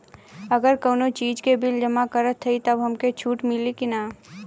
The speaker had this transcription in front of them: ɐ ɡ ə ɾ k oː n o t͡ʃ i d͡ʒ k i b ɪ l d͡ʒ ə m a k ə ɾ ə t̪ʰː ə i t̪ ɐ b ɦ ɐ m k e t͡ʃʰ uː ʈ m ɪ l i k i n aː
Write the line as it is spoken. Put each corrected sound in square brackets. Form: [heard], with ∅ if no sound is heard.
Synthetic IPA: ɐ ɡ ə ɾ k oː n o t͡ʃ [iː] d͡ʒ k [e] b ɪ l d͡ʒ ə m a k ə ɾ ə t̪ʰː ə i t̪ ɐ b ɦ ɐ m k e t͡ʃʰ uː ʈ m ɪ l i k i n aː